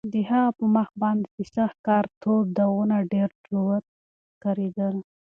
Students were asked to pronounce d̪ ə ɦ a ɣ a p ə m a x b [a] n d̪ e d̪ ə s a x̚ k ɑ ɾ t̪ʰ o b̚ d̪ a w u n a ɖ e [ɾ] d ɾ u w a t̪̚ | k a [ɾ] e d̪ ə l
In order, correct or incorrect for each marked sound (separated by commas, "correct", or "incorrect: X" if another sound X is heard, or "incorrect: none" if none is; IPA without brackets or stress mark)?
incorrect: ɑ, correct, correct